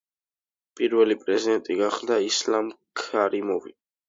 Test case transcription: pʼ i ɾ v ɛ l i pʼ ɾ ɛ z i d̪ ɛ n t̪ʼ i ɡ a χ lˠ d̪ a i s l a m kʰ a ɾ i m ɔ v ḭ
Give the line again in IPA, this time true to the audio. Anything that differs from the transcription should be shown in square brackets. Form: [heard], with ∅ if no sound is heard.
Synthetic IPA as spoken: pʼ i ɾ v ɛ l i pʼ ɾ ɛ z i d̪ ɛ n t̪ʼ i ɡ a χ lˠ d̪ a i s l a m kʰ a ɾ i m ɔ v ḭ